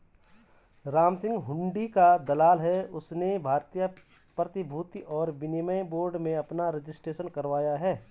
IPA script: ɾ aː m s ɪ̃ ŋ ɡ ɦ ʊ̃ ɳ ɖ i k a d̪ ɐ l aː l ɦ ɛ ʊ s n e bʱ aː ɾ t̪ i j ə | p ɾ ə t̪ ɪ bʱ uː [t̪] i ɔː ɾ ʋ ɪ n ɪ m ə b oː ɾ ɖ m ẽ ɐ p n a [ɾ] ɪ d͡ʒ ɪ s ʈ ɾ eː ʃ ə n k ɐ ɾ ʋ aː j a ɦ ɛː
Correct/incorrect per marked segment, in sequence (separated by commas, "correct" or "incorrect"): correct, correct